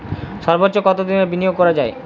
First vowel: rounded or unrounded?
rounded